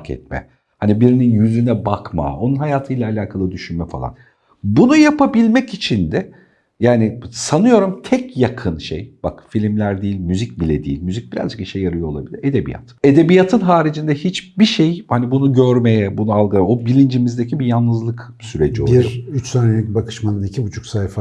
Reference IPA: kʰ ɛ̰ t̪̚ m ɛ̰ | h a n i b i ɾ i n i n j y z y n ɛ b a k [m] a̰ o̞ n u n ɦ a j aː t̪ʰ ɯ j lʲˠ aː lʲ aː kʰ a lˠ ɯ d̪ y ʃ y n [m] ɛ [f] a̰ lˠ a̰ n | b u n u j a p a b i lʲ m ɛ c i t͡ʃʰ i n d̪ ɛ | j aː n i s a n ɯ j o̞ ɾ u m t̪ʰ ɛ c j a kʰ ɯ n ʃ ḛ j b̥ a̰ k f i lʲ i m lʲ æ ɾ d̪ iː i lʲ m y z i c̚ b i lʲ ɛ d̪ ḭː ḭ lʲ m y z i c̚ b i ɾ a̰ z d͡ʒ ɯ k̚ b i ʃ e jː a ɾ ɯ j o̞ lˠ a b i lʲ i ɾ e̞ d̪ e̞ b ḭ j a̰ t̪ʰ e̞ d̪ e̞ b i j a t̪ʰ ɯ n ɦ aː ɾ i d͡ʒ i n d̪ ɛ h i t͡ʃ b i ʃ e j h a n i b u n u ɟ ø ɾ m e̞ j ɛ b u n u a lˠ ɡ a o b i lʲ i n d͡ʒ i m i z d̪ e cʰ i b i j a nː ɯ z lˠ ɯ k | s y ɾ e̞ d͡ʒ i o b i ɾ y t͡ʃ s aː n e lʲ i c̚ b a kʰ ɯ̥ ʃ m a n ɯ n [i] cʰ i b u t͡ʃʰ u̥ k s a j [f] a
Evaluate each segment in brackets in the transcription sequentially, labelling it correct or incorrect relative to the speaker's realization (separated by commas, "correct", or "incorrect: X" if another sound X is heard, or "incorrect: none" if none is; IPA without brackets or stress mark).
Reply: correct, correct, correct, correct, correct